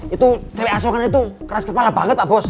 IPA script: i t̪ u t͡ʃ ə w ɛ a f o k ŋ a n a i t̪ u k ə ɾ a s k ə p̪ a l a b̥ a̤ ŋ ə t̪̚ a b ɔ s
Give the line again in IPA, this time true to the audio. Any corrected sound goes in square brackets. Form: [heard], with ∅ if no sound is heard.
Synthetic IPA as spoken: i t̪ u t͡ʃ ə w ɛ a [s] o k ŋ a n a i t̪ u k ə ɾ a s k ə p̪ a l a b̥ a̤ ŋ ə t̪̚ a b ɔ s